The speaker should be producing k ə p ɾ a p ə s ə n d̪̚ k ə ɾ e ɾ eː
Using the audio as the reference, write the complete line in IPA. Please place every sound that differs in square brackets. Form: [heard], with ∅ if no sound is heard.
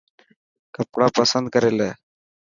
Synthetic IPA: k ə p [ɽ] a p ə s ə n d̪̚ k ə ɾ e [l] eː